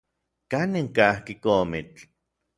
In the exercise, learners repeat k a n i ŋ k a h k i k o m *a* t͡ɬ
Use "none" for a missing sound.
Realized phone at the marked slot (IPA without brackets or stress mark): i